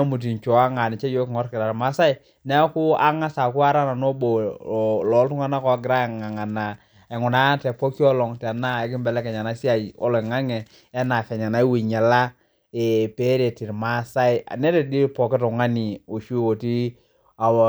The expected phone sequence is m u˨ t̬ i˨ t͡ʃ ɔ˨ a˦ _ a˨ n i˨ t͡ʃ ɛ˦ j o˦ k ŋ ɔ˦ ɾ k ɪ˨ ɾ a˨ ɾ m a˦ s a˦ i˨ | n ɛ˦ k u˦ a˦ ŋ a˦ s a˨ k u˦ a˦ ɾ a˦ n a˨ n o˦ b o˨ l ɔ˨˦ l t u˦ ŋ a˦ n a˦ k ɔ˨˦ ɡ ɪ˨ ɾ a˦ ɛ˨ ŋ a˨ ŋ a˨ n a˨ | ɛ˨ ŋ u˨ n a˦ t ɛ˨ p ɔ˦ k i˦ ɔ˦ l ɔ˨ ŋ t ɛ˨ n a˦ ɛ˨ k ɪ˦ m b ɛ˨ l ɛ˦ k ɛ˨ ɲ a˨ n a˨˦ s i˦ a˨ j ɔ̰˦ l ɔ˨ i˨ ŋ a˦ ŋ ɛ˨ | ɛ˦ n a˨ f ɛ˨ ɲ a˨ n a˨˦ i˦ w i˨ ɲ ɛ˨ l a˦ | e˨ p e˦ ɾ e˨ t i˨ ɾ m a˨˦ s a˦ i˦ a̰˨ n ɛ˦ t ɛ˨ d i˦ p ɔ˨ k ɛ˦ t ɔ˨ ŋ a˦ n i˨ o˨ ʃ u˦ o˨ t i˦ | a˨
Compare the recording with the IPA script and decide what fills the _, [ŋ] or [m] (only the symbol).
ŋ